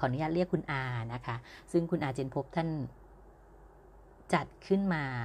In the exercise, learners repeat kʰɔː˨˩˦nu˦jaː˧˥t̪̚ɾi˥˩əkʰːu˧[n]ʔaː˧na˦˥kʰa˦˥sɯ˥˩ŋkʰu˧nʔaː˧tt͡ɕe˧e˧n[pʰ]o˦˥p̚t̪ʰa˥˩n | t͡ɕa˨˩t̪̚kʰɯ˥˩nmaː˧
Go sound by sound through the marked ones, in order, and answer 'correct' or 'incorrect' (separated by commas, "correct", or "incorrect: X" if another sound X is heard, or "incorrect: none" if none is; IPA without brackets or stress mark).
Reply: correct, correct